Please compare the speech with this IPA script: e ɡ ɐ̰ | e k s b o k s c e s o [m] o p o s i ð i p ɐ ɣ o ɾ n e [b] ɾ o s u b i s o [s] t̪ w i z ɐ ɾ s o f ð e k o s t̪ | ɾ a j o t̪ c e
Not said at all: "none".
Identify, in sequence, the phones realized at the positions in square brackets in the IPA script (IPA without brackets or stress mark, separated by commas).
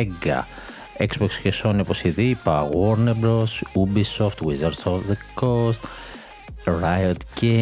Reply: n, b, f